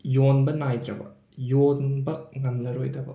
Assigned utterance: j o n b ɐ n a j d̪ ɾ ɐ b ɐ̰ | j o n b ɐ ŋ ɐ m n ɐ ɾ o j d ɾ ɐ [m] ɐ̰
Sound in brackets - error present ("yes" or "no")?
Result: yes